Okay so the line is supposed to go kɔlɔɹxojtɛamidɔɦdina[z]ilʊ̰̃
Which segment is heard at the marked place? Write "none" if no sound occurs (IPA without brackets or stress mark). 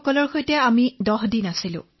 s